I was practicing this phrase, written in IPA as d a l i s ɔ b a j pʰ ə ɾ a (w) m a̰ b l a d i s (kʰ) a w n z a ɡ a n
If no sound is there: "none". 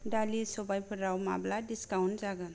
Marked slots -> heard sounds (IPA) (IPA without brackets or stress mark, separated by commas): w, k